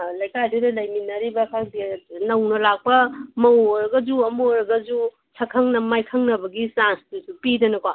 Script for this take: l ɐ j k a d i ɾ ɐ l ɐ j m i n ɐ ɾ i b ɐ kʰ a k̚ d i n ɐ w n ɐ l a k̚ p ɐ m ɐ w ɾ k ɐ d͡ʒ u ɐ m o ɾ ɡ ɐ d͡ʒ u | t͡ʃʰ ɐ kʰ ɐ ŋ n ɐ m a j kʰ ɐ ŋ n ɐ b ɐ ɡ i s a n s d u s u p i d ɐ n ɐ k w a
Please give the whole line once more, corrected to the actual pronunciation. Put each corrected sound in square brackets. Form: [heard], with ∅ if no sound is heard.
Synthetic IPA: l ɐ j k a d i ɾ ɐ l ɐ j m i n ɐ ɾ i b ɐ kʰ a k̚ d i n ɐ w n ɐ l a k̚ p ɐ m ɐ w ɾ [ɡ] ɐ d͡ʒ u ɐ m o ɾ ɡ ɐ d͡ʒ u | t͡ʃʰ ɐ kʰ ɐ ŋ n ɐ m a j kʰ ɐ ŋ n ɐ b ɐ ɡ i s a n s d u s u p i d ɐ n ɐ k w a